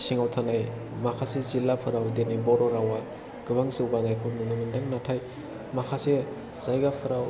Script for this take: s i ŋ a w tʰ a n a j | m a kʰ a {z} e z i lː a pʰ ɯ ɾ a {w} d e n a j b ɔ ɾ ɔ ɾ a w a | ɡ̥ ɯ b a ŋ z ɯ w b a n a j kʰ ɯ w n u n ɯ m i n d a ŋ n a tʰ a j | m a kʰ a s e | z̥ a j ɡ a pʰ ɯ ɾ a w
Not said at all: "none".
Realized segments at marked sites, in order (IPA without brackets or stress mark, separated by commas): s, w